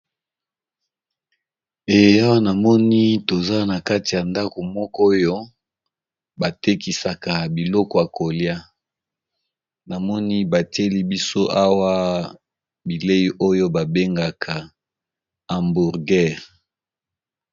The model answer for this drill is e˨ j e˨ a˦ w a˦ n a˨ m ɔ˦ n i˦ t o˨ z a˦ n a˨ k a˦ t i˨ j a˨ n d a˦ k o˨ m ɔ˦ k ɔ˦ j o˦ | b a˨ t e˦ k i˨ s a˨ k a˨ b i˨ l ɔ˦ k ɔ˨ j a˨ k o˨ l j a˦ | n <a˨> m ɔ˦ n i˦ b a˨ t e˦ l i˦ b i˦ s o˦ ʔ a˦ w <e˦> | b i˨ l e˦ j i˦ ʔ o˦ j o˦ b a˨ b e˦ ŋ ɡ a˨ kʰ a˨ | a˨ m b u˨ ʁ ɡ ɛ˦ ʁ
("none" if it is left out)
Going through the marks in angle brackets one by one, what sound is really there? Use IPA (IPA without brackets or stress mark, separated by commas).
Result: a˨, a˦